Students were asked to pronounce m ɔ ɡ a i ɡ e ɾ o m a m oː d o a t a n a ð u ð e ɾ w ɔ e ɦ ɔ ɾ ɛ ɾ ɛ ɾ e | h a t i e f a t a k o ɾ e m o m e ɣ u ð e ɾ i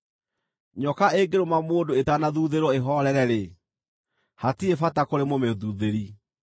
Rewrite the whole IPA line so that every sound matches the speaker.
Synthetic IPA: ɲ ɔ k a e ɡ e ɾ o m a m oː d o e t a n a ð u ð e ɾ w ɔ e ɦ ɔ ɾ ɛ ɾ ɛ ɾ e | h a t i e f a t a k o ɾ e m o m e ð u ð e ɾ i